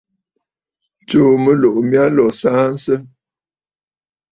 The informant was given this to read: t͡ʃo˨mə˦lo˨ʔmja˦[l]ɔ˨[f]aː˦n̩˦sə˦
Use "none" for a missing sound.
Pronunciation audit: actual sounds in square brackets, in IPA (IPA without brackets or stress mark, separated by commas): l, s